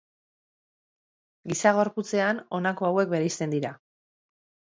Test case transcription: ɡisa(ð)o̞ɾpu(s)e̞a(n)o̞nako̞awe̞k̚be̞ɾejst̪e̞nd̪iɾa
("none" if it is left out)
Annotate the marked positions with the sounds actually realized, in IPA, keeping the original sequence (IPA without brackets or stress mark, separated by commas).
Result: ɣ, t͡s, n